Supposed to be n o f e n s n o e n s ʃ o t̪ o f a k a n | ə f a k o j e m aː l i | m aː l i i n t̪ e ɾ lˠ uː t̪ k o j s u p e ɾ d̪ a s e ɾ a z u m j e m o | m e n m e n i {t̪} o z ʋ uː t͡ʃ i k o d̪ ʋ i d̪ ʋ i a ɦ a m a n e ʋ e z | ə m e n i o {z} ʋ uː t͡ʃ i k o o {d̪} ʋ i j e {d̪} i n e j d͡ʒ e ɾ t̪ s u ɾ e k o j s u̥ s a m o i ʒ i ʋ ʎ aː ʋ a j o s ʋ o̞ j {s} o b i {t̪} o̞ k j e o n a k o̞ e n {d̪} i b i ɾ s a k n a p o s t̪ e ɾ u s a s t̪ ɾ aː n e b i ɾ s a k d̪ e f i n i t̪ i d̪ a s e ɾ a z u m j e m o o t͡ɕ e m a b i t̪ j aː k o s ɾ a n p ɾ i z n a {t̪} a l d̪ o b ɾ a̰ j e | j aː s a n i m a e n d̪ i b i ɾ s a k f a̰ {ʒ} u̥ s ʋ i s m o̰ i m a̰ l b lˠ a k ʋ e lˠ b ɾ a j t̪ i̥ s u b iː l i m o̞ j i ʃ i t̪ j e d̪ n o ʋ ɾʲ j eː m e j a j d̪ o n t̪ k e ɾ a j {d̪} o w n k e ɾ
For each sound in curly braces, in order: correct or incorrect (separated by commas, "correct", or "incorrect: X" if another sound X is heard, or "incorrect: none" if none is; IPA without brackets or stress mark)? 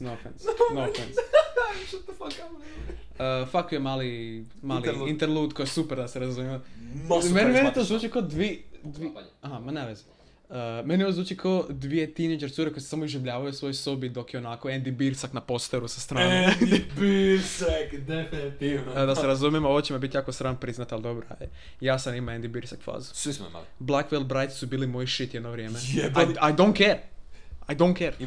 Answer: correct, correct, correct, incorrect: t̪, correct, incorrect: d̪, correct, correct, incorrect: z, correct